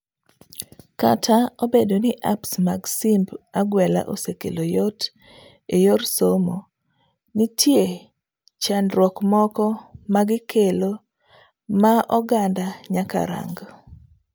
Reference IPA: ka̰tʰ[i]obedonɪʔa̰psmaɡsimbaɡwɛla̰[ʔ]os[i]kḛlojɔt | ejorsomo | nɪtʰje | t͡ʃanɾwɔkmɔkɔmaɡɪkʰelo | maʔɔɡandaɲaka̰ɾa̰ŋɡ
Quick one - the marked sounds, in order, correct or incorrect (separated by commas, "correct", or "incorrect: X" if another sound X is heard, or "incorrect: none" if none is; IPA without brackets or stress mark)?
incorrect: a, correct, incorrect: e